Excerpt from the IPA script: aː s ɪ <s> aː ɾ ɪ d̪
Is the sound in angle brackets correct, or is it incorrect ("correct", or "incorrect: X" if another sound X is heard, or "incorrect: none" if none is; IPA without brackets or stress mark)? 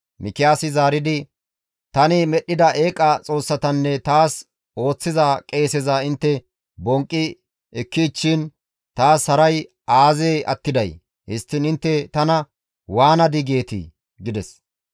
incorrect: z